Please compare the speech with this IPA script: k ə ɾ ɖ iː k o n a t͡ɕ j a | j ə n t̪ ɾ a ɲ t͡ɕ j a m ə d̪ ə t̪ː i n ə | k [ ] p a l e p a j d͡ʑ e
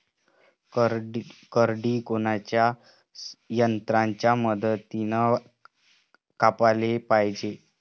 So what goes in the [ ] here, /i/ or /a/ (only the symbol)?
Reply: a